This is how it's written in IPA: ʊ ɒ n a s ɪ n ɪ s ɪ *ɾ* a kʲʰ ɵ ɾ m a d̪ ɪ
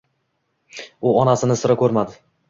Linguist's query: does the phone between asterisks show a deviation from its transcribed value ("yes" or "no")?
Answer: no